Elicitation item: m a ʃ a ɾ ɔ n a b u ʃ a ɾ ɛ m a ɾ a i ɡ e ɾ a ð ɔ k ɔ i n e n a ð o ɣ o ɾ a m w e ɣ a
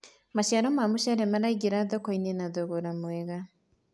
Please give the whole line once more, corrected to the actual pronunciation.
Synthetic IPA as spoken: m a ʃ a ɾ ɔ m a m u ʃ a ɾ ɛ m a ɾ a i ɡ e ɾ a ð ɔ k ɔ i n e n a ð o ɣ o ɾ a m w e ɣ a